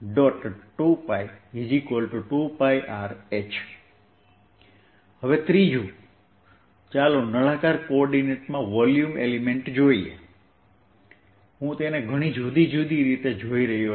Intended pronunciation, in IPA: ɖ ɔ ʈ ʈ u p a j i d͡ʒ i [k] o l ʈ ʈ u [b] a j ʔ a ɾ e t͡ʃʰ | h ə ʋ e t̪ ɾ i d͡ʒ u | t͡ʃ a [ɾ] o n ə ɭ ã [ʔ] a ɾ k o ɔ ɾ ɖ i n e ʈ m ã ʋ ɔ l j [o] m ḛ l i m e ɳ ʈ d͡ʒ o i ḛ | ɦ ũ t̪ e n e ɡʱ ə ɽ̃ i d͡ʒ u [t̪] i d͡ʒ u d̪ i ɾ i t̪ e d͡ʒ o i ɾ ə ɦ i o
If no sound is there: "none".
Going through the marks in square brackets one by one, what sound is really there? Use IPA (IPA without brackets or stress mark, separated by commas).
k, p, l, k, u, d̪